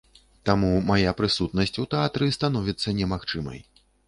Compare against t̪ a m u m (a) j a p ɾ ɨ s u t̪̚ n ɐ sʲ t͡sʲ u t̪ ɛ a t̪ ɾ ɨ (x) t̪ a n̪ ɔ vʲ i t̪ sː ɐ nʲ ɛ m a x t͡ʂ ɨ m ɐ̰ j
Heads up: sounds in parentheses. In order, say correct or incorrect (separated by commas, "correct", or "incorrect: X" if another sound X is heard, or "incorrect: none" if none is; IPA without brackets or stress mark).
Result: correct, incorrect: s